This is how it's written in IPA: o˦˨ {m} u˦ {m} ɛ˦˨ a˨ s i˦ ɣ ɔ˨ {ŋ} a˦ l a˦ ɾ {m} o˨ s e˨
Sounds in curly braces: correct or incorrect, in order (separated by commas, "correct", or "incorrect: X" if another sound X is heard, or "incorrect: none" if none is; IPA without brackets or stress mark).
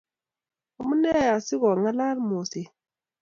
correct, incorrect: n, correct, correct